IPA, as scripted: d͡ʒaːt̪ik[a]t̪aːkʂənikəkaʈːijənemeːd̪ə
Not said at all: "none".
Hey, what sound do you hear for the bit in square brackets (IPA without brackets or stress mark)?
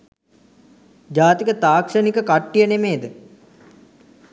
ə